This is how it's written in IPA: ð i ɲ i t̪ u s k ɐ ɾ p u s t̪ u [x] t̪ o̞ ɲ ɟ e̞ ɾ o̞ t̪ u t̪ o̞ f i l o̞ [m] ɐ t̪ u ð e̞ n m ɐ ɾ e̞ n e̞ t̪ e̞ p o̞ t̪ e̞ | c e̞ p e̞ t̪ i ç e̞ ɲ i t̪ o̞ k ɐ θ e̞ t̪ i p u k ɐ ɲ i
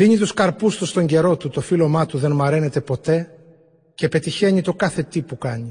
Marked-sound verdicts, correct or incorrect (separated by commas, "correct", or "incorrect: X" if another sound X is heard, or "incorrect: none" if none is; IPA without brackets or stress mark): incorrect: s, correct